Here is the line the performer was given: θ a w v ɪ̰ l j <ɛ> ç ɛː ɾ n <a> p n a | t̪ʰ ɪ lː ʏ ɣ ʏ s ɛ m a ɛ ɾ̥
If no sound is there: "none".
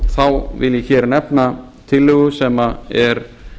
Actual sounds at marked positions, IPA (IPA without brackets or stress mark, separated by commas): ɛ, ɛ